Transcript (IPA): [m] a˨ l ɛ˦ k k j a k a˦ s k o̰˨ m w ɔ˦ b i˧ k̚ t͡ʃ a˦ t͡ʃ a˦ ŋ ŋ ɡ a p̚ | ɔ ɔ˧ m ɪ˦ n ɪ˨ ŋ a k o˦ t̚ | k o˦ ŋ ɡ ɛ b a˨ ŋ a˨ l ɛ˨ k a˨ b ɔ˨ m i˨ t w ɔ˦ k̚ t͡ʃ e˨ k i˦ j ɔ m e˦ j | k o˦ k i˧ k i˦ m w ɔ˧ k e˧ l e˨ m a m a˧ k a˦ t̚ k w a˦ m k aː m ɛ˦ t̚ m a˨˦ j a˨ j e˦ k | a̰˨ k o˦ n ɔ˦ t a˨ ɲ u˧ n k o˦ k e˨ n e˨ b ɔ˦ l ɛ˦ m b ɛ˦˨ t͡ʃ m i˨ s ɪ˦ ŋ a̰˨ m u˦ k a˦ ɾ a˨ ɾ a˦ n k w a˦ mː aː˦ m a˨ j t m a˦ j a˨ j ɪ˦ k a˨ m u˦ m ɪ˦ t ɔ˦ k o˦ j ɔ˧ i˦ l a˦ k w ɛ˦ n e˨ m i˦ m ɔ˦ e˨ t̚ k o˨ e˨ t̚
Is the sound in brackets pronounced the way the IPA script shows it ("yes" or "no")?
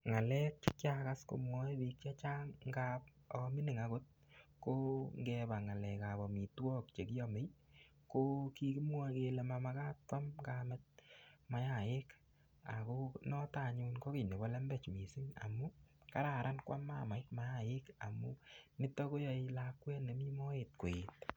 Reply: no